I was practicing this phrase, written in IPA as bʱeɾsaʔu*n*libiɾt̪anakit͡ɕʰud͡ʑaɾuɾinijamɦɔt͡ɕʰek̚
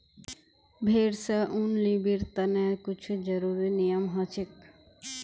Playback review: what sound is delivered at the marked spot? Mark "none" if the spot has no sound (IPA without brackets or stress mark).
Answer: n